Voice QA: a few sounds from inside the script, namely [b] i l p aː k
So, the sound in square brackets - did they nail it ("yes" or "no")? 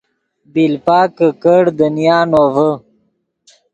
yes